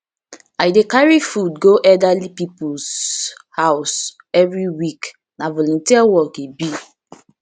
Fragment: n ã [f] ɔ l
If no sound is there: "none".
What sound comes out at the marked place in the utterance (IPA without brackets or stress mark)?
v